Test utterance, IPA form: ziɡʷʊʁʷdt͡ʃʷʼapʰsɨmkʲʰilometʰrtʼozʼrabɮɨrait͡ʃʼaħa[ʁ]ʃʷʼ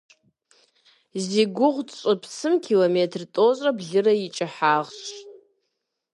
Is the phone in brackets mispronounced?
no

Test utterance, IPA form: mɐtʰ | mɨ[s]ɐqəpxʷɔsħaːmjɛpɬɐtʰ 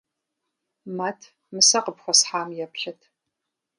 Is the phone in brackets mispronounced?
no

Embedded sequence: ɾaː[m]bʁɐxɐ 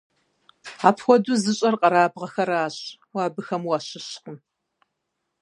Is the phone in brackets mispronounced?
yes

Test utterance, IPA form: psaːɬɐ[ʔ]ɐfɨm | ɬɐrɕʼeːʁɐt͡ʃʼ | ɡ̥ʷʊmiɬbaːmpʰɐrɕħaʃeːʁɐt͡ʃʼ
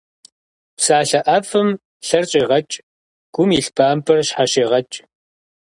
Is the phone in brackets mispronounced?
no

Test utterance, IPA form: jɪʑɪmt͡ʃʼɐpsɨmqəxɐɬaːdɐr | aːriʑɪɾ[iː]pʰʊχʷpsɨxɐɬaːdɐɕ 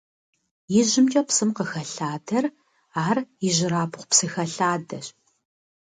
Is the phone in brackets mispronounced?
yes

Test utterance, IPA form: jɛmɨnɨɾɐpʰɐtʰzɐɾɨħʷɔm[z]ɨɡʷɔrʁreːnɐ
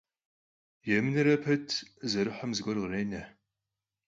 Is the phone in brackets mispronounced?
no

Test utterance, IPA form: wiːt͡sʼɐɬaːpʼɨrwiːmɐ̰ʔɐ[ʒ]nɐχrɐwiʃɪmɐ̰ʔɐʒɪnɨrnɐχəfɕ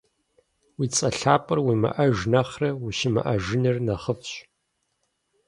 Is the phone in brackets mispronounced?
no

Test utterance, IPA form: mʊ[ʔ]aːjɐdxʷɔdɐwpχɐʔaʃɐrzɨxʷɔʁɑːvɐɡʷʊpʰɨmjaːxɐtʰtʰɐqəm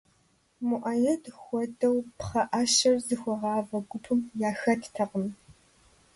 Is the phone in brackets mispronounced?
no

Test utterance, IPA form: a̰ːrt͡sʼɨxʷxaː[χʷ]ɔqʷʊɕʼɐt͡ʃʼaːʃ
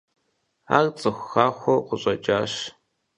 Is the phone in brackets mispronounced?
yes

